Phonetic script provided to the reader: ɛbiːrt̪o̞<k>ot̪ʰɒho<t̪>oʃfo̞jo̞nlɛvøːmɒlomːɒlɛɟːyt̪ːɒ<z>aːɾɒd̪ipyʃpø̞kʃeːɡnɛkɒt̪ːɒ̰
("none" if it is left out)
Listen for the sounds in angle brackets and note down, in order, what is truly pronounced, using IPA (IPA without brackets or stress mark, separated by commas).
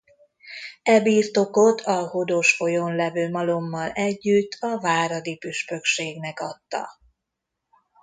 k, d̪, v